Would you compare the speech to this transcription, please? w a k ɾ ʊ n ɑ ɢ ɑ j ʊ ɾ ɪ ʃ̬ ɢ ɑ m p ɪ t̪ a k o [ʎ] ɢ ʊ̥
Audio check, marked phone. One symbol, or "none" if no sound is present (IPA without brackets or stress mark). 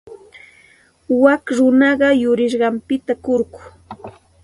ɾ